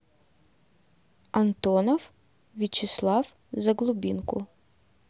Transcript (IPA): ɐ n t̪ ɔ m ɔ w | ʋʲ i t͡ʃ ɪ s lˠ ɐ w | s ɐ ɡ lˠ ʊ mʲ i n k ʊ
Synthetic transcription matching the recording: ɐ n t̪ ɔ n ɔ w | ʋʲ i t͡ʃ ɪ s lˠ ɑ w | z ɐ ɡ lˠ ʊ bʲ i n k ʊ

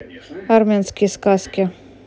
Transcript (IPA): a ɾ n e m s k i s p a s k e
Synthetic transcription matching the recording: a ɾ m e n s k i s k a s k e

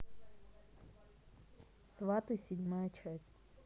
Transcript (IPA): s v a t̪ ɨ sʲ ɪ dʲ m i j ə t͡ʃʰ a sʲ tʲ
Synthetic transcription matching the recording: s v a t̪ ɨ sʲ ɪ dʲ m a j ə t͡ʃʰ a sʲ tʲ

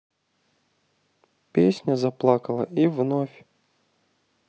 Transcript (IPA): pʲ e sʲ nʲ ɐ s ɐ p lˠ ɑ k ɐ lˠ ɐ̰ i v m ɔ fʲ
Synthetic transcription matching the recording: pʲ e sʲ nʲ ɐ z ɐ p lˠ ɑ k ɐ lˠ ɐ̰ i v n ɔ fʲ

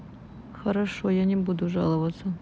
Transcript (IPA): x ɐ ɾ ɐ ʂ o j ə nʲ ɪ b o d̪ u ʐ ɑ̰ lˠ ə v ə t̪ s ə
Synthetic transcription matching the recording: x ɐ ɾ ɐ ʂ o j a nʲ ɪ b u d̪ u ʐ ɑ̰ lˠ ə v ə t̪ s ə

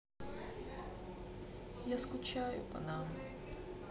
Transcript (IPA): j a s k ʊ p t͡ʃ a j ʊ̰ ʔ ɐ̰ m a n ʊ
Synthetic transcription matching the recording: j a s k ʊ t͡ʃ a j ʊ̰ p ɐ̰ n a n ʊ

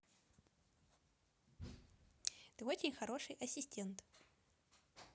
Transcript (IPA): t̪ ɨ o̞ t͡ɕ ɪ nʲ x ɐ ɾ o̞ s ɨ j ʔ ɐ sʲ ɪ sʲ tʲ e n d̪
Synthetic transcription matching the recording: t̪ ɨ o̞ t͡ɕ ɪ nʲ x ɐ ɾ o̞ ʂ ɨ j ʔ ɐ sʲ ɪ sʲ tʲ e n t̪

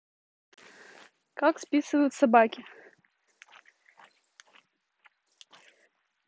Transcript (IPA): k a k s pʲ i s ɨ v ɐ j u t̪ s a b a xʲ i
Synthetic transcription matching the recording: k a k s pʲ i s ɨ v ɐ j u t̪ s a b a kʲ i

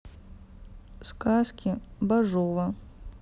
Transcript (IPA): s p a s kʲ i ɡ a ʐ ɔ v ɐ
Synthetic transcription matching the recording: s k a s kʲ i b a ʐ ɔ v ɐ

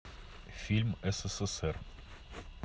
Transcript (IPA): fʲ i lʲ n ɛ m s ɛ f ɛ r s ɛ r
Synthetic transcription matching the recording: fʲ i lʲ m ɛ s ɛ s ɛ s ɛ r

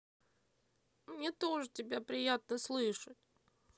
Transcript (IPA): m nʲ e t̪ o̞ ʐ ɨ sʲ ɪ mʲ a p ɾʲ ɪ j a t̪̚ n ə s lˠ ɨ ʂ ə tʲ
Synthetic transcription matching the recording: m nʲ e t̪ o̞ ʐ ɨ tʲ ɪ bʲ a p ɾʲ ɪ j a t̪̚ n ə s lˠ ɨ ʂ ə tʲ

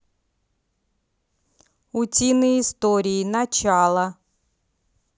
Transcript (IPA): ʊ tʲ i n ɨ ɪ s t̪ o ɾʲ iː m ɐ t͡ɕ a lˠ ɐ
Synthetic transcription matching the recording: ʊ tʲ i n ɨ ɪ s t̪ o ɾʲ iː n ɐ t͡ɕ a lˠ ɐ

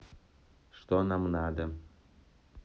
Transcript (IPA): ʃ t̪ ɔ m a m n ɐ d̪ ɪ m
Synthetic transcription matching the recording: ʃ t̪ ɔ n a m n a d̪ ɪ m

